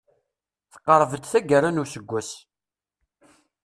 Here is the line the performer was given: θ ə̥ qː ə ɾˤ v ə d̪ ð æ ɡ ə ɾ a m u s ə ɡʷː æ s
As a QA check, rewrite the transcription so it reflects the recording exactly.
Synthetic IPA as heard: θ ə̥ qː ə ɾˤ v ə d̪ θ æ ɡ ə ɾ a n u s ə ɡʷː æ s